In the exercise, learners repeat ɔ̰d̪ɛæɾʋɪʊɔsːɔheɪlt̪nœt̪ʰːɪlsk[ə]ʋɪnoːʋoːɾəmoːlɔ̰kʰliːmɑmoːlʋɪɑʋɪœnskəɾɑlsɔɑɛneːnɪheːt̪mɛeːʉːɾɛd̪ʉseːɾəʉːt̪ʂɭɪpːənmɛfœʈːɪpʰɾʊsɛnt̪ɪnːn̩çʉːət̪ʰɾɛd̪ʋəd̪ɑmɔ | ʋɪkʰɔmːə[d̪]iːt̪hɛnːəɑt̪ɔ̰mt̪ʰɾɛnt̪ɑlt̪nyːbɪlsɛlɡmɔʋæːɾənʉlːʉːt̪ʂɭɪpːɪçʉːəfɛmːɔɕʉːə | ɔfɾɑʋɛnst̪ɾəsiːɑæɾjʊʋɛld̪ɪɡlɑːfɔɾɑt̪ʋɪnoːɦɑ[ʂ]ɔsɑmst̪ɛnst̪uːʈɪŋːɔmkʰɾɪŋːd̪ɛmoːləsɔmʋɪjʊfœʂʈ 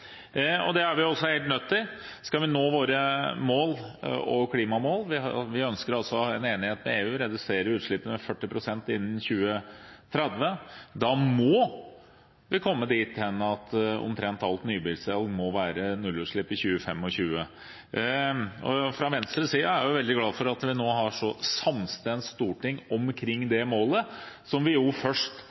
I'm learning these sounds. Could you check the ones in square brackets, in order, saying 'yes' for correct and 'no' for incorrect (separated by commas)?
no, yes, yes